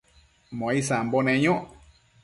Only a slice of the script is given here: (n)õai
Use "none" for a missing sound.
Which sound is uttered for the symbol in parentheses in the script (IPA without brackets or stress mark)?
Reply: m